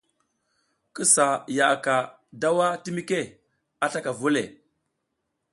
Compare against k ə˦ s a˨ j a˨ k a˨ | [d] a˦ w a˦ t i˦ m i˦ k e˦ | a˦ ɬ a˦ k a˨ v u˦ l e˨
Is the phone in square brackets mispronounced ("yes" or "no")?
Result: no